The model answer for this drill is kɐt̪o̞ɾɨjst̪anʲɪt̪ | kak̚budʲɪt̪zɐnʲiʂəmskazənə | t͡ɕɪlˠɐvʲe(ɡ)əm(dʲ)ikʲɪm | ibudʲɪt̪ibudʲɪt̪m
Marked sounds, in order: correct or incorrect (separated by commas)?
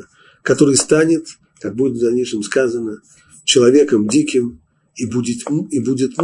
incorrect, correct